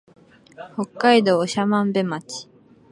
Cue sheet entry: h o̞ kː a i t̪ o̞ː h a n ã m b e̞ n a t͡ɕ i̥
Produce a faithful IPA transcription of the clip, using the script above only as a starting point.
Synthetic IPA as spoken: h o̞ kː a i d̪ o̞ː ɕ a m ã m b e̞ m a t͡ɕ i̥